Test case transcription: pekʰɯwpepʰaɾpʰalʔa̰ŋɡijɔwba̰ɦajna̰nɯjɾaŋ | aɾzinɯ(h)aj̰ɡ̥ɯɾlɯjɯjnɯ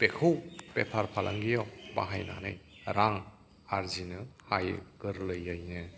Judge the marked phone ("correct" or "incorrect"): correct